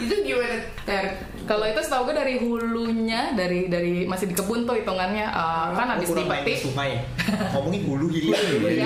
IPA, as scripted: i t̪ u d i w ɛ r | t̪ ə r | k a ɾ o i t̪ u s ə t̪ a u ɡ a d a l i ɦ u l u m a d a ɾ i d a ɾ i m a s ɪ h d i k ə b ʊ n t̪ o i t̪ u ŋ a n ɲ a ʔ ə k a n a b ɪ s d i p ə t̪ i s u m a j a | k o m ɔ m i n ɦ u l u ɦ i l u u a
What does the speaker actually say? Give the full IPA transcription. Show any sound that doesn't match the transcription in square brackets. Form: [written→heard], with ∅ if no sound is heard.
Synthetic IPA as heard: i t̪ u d i w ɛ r | t̪ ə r | k a [ɾ→l] o i t̪ u s ə t̪ a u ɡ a d a [l→ɾ] i ɦ u l u [m→ɲ] a d a ɾ i d a ɾ i m a s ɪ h d i k ə b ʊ n t̪ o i t̪ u ŋ a n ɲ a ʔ ə k a n a b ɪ s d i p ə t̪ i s u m a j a | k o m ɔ [m→ŋ] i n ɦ u l u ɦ i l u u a